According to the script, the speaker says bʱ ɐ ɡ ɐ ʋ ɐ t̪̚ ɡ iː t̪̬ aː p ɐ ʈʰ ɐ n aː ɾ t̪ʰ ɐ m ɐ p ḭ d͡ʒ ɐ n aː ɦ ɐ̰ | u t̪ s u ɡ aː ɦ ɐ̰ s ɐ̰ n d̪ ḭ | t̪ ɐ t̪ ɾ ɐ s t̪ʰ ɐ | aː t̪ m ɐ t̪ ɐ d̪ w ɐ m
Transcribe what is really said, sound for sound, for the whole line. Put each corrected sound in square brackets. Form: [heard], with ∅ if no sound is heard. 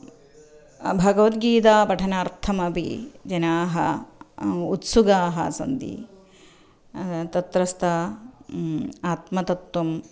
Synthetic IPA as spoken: bʱ ɐ ɡ ɐ ʋ ɐ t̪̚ ɡ iː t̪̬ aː p ɐ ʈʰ ɐ n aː ɾ t̪ʰ ɐ m ɐ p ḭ d͡ʒ ɐ n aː ɦ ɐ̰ | u t̪ s u ɡ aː ɦ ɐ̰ s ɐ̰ n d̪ ḭ | t̪ ɐ t̪ ɾ ɐ s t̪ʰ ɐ | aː t̪ m ɐ t̪ ɐ [t̪] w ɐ m